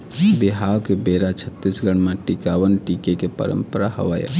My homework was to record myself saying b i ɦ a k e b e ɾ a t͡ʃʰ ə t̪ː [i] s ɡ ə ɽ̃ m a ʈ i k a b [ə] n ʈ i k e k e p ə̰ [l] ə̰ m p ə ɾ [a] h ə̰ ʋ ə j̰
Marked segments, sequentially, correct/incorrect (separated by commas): correct, correct, incorrect, correct